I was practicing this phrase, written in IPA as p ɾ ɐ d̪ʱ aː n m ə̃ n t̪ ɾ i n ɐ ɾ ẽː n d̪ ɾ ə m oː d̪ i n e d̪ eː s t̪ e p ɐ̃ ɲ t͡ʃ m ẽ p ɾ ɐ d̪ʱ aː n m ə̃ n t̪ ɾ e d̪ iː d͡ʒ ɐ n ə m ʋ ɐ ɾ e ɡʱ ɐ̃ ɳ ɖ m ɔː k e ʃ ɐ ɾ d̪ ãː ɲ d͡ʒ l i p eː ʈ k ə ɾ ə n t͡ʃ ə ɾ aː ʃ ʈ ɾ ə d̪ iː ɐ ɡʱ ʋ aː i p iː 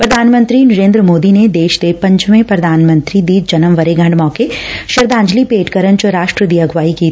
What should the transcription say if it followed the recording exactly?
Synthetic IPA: p ɾ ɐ d̪ʱ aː n m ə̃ n t̪ ɾ i n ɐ ɾ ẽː n d̪ ɾ ə m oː d̪ i n e d̪ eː ʃ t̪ e p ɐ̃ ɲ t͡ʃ m ẽ p ɾ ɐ d̪ʱ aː n m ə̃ n t̪ ɾ i d̪ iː d͡ʒ ɐ n ə m ʋ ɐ ɾ e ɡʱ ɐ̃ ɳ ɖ m ɔː k e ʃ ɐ ɾ d̪ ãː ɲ d͡ʒ l i p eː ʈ k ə ɾ ə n t͡ʃ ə ɾ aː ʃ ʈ ɾ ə d̪ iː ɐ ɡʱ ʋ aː i k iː

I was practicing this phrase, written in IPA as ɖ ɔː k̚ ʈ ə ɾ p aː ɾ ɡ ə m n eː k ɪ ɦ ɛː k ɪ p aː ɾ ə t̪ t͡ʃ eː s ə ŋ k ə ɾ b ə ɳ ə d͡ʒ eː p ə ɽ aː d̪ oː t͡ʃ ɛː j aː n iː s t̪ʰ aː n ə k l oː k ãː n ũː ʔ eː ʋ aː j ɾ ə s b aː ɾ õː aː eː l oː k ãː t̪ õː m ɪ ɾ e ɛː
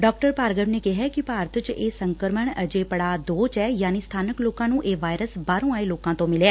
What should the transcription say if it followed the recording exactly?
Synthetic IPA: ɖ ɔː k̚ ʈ ə ɾ p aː ɾ ɡ ə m n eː k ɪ ɦ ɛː k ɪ p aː ɾ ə t̪ t͡ʃ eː s ə ŋ k ə ɾ m ə ɳ ə d͡ʒ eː p ə ɽ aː d̪ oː t͡ʃ ɛː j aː n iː s t̪ʰ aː n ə k l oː k ãː n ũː ʔ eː ʋ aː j ɾ ə s b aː ɾ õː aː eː l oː k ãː t̪ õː m ɪ l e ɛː

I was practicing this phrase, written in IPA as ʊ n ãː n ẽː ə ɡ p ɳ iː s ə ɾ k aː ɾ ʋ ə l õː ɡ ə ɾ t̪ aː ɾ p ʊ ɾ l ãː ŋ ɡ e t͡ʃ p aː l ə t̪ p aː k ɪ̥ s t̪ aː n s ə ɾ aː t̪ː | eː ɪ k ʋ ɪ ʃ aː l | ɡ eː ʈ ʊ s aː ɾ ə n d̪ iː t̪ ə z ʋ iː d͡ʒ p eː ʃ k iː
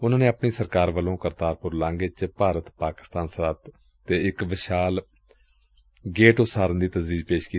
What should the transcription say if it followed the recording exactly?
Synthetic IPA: ʊ n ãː n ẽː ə p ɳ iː s ə ɾ k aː ɾ ʋ ə l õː k ə ɾ t̪ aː ɾ p ʊ ɾ l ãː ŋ ɡ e t͡ʃ p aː ɾ ə t̪ p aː k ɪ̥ s t̪ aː n s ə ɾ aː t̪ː | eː ɪ k ʋ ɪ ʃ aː l | ɡ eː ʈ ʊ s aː ɾ ə n d̪ iː t̪ ə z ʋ iː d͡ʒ p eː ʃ k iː

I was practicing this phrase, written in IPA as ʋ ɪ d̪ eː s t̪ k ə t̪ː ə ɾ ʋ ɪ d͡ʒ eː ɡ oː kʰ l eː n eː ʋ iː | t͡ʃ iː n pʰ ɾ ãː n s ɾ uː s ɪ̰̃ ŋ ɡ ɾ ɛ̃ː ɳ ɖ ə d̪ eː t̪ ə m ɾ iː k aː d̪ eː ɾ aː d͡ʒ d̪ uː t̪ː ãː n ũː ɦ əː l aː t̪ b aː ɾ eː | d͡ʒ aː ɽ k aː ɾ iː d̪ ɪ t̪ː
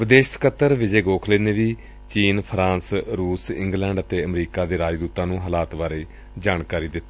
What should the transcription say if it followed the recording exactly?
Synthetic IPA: ʋ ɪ d̪ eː ʃ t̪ k ə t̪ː ə ɾ ʋ ɪ d͡ʒ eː ɡ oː kʰ l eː n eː ʋ iː | t͡ʃ iː n pʰ ɾ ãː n s ɾ uː s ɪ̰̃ ŋ ɡ l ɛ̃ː ɳ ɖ ə t̪ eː ə m ɾ iː k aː d̪ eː ɾ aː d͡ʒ d̪ uː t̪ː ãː n ũː ɦ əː l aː t̪ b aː ɾ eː | d͡ʒ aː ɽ k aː ɾ iː d̪ ɪ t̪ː

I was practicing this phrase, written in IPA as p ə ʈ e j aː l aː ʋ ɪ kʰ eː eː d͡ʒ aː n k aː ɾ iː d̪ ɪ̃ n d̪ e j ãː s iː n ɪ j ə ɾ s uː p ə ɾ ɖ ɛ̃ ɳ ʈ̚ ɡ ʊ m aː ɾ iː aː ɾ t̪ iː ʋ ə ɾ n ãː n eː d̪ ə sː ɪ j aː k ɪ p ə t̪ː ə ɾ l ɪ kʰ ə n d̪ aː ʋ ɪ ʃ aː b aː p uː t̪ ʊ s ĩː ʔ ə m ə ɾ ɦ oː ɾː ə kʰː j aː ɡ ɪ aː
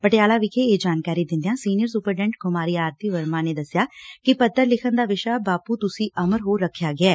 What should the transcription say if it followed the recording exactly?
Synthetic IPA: p ə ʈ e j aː l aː ʋ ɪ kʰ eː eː d͡ʒ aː n k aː ɾ iː d̪ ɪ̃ n d̪ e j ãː s iː n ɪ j ə ɾ s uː p ə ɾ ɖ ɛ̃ ɳ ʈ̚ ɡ ʊ m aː ɾ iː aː ɾ t̪ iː ʋ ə ɾ m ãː n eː d̪ ə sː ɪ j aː k ɪ p ə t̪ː ə ɾ l ɪ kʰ ə n d̪ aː ʋ ɪ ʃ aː b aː p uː t̪ ʊ s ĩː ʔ ə m ə ɾ ɦ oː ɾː ə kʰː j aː ɡ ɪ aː

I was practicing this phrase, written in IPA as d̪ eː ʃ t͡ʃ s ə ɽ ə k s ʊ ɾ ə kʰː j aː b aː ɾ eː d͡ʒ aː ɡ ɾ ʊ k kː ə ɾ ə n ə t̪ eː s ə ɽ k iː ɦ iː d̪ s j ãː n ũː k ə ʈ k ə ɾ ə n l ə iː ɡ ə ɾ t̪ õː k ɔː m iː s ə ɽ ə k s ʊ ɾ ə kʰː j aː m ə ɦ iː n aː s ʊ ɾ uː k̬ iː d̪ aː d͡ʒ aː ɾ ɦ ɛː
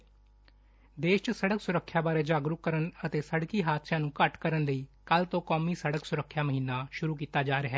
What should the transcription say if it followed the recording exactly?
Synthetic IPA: d̪ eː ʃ t͡ʃ s ə ɽ ə k s ʊ ɾ ə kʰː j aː b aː ɾ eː d͡ʒ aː ɡ ɾ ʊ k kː ə ɾ ə n ə t̪ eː s ə ɽ k iː ɦ aː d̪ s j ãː n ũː k ə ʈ k ə ɾ ə n l ə iː k ə l t̪ õː k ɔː m iː s ə ɽ ə k s ʊ ɾ ə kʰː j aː m ə ɦ iː n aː ʃ ʊ ɾ uː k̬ iː t̪ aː d͡ʒ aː ɾ ɦ ɛː

